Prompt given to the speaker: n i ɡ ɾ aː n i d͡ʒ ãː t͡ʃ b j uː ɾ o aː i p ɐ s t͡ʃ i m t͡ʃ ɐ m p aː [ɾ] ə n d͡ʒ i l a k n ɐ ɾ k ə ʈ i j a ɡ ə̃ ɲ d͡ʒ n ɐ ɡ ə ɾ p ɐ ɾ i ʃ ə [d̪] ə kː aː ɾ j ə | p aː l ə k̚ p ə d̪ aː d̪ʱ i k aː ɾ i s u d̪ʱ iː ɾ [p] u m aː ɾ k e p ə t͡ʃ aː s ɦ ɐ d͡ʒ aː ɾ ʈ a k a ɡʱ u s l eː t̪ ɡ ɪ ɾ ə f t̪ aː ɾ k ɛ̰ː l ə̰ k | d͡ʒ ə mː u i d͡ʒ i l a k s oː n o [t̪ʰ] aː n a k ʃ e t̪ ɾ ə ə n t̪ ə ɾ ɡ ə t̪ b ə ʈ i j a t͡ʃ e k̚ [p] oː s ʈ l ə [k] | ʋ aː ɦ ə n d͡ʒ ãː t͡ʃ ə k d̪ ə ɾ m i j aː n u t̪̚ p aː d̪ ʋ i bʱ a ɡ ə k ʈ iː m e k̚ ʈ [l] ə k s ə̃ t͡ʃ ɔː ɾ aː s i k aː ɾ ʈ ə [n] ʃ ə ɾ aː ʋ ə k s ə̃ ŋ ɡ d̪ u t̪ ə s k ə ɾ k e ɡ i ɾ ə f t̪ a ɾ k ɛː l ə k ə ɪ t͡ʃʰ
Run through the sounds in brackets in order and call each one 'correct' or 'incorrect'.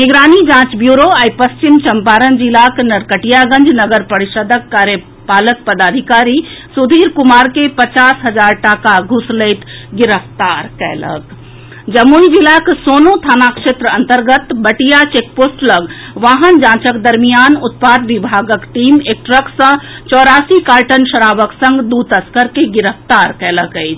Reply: correct, correct, incorrect: k, correct, correct, incorrect: ɡ, incorrect: ɾ, correct

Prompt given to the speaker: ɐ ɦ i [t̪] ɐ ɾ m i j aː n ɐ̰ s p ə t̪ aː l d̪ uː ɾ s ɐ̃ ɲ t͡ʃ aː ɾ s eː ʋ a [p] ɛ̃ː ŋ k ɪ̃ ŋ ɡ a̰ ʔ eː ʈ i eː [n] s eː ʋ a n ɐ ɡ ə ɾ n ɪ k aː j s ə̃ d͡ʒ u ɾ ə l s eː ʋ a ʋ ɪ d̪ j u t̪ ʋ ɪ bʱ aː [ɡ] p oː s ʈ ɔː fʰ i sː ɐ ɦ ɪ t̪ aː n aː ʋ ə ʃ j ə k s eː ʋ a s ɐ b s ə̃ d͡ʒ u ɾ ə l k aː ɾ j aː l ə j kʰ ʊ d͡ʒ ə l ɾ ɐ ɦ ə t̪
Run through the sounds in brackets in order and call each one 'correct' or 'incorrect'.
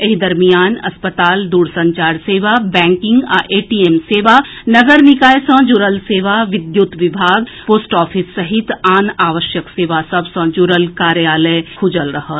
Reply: incorrect: d̪, incorrect: b, incorrect: m, correct

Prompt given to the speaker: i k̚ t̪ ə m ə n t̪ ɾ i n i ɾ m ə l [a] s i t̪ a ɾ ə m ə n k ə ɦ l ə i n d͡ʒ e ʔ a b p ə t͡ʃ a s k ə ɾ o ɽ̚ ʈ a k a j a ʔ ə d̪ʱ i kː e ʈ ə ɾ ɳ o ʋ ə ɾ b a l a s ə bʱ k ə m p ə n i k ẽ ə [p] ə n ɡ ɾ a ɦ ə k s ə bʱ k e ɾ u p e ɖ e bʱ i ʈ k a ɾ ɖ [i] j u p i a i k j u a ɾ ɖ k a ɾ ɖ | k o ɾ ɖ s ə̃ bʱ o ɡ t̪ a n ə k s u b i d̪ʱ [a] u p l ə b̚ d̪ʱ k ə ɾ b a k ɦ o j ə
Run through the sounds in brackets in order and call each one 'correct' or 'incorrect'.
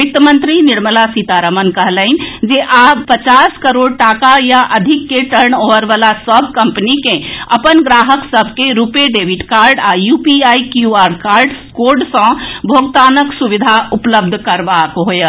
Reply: correct, correct, incorrect: a, correct

